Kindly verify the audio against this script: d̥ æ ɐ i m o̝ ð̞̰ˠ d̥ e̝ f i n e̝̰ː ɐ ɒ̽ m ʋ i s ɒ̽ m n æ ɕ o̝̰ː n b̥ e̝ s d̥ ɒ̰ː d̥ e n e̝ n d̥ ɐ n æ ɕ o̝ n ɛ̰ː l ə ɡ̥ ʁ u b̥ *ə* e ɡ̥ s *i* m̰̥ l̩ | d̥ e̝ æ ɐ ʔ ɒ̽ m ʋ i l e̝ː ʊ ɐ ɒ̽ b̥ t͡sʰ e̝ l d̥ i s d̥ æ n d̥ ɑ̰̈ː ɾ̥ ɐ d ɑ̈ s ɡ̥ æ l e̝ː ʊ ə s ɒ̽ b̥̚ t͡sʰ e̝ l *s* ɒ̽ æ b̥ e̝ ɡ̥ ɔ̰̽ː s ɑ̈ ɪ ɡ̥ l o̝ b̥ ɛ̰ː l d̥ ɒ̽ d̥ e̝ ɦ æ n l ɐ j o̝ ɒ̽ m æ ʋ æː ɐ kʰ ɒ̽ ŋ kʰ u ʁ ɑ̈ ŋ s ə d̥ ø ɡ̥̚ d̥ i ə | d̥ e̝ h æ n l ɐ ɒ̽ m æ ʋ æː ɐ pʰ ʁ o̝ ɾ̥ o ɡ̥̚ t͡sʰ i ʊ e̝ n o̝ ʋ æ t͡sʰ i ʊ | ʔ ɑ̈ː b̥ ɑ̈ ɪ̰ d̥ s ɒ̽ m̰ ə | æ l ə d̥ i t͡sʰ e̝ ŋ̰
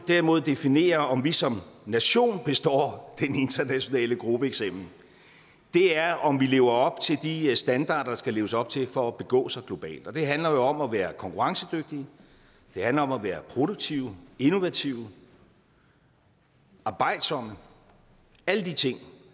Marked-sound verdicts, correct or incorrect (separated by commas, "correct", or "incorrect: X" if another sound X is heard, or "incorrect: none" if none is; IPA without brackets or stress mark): correct, incorrect: e, incorrect: f